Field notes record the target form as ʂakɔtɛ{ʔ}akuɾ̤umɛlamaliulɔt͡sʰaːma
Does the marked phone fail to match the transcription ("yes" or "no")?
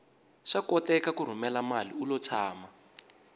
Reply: yes